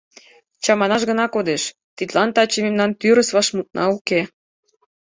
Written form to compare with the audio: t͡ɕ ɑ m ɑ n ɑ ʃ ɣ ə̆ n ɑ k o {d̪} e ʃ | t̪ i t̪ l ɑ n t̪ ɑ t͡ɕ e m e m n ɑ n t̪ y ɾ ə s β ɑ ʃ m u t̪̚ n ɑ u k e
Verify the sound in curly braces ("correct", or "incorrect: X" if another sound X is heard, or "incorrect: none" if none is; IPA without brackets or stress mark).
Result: correct